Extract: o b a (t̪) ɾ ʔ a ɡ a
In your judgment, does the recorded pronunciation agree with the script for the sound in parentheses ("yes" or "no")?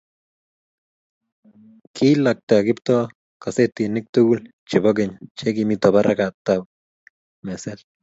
no